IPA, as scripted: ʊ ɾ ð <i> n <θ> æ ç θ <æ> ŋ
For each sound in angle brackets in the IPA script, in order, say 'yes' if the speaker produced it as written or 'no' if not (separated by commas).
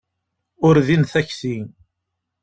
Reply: yes, yes, no